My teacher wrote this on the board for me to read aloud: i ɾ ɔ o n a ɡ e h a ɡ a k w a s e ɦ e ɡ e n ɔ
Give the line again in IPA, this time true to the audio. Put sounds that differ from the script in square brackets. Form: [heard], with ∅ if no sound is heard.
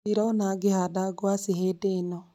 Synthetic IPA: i ɾ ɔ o n a ɡ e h a [d] a [ɡ] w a s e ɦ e [d] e n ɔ

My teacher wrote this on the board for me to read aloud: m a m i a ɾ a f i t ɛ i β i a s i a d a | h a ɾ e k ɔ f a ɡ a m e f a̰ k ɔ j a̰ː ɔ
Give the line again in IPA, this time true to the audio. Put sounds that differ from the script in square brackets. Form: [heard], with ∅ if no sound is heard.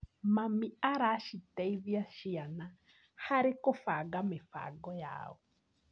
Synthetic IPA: m a m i a ɾ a [ʃ] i t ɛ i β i a [ʃ] i a [n] a | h a ɾ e k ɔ f a ɡ a m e f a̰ [ɡ] ɔ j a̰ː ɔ

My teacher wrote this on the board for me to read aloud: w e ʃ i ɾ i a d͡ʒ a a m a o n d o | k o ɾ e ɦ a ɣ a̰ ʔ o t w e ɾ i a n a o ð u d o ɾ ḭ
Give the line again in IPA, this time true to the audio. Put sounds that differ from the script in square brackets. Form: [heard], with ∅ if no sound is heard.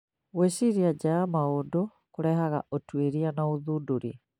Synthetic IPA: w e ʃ i ɾ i a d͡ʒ a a m a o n d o | k o ɾ [ɛ] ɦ a ɣ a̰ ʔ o t w e ɾ i a n a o ð u d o ɾ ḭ

